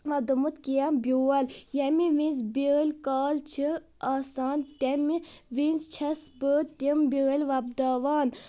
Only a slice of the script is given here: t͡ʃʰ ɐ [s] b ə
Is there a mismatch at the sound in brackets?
no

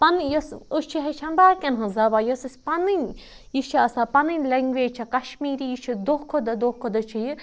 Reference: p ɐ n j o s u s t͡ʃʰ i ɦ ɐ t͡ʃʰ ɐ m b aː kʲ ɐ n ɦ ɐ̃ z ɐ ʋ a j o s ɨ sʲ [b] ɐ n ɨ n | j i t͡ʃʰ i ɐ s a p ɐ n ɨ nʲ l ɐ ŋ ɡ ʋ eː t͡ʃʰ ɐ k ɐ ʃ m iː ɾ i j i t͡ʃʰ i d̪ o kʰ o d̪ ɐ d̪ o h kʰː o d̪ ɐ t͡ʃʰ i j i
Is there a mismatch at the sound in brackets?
yes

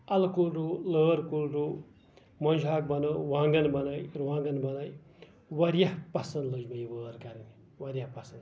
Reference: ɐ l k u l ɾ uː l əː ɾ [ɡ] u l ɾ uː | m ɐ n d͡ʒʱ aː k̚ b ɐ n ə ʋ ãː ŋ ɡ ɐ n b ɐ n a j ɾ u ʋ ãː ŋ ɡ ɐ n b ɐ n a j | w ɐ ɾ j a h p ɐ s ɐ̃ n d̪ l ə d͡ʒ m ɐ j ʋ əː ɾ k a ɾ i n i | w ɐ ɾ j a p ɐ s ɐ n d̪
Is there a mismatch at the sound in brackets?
yes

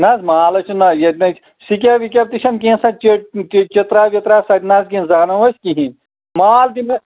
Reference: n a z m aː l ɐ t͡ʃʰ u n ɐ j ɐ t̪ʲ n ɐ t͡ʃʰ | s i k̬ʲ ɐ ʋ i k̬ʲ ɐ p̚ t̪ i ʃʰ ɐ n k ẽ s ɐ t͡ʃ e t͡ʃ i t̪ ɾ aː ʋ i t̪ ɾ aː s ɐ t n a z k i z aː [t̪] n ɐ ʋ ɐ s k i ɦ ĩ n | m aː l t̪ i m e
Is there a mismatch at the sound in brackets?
yes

